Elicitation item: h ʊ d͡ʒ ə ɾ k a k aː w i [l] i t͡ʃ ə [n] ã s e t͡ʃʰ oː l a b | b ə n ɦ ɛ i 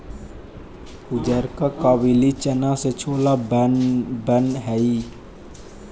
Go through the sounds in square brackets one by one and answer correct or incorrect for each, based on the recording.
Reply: correct, correct

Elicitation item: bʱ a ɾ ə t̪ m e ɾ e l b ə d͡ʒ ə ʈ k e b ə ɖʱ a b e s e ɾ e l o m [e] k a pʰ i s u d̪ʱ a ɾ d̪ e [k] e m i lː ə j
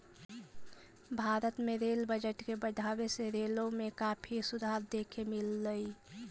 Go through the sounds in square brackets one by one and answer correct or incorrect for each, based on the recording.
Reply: correct, incorrect: kʰ

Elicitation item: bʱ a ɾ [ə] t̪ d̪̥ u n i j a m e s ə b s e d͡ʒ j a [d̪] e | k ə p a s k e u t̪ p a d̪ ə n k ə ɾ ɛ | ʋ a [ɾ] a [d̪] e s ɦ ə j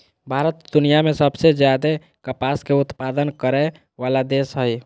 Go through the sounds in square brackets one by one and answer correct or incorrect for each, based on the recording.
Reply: correct, correct, incorrect: l, correct

